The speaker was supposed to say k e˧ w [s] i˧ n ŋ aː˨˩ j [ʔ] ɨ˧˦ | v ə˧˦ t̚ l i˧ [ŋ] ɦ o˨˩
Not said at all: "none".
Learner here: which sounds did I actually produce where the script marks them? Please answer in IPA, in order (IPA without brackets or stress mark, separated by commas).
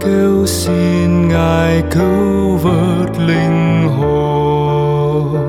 s, k, ŋ